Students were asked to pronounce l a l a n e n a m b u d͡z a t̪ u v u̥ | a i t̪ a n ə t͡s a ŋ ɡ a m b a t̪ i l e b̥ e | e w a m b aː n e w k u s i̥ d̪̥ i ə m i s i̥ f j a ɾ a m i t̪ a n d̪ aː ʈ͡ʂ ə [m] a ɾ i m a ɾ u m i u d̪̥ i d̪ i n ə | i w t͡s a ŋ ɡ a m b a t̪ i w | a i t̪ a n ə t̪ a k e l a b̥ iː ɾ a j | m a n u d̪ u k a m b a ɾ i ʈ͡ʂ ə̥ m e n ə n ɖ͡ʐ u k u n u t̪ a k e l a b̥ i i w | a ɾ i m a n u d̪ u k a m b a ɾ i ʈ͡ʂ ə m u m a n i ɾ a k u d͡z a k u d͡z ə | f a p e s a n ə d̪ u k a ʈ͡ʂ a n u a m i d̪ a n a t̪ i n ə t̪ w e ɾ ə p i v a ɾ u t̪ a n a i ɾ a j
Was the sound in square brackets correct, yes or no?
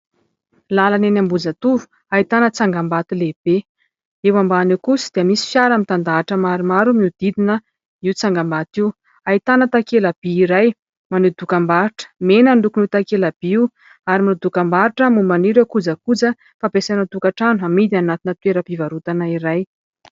yes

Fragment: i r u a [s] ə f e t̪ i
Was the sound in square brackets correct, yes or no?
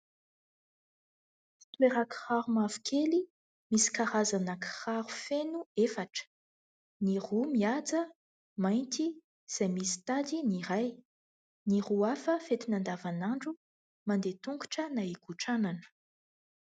no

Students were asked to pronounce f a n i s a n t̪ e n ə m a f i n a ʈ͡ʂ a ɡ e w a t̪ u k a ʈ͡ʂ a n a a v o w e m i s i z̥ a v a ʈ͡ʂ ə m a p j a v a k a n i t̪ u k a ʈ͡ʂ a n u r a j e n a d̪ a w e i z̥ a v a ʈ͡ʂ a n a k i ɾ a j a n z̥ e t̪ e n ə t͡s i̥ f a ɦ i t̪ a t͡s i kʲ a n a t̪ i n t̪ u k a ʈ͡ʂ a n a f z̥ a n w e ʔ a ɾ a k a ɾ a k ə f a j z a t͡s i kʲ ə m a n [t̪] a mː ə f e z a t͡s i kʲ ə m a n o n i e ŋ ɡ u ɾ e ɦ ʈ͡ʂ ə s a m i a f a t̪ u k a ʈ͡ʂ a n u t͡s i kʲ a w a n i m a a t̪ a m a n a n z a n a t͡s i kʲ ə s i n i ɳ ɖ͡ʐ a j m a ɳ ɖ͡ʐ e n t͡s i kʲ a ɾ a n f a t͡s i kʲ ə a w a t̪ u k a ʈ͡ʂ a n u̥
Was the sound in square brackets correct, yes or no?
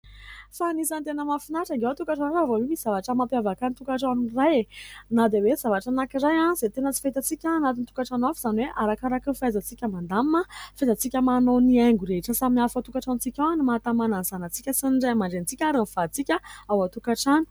no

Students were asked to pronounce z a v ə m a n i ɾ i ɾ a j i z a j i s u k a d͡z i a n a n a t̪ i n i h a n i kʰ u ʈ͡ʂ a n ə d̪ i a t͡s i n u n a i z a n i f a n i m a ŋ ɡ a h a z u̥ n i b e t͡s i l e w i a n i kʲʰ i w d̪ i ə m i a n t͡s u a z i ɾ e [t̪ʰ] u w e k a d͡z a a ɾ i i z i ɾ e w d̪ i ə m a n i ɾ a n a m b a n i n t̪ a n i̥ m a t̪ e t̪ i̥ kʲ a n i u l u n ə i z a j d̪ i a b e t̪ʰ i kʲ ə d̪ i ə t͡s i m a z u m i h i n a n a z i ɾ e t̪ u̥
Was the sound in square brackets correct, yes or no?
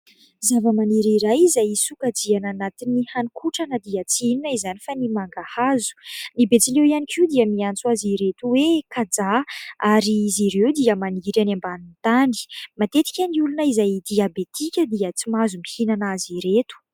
no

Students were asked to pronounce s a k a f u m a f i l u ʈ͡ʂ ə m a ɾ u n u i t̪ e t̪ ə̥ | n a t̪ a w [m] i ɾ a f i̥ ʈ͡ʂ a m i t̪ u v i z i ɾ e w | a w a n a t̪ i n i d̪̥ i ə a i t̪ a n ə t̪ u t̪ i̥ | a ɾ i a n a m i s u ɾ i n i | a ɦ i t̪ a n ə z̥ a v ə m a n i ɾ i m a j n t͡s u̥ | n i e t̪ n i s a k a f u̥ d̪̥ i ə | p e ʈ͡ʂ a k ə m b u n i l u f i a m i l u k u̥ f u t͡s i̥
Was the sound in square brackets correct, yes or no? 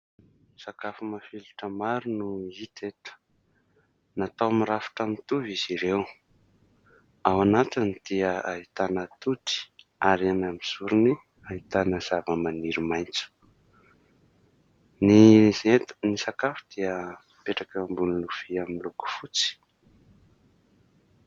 yes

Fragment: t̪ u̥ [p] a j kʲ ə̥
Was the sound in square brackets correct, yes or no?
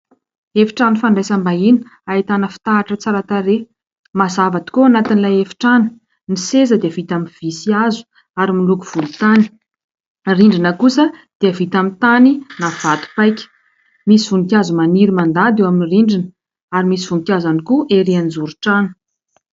yes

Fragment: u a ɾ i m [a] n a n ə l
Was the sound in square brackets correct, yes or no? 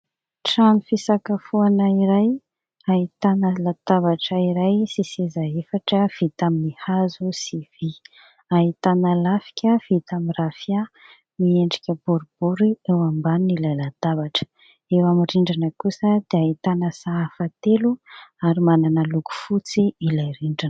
yes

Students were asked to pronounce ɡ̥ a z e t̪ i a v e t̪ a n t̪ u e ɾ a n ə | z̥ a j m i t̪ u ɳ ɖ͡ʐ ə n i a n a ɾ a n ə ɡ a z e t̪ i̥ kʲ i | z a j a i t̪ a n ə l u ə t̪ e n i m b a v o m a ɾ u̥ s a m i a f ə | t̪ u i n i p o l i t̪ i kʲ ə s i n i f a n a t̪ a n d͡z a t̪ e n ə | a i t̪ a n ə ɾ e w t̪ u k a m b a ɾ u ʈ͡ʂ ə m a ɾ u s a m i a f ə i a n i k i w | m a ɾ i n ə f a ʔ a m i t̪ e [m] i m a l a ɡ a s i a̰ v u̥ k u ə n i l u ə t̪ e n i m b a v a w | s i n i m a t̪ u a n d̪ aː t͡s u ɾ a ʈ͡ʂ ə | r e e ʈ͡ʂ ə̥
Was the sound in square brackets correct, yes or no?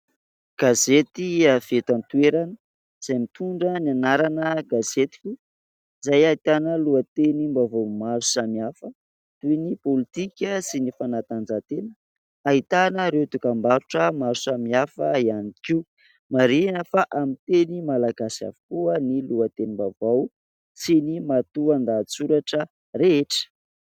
no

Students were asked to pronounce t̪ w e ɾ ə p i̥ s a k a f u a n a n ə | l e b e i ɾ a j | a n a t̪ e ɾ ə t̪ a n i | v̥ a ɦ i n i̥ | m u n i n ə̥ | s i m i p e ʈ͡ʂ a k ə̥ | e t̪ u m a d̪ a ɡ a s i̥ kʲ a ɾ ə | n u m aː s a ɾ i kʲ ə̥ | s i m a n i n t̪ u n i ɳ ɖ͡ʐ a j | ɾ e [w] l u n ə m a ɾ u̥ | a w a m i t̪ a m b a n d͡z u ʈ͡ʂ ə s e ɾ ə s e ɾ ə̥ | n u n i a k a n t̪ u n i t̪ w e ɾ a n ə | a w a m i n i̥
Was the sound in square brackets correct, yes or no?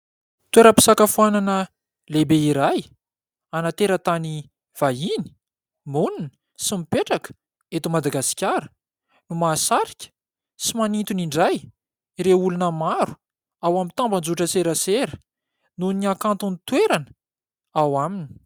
no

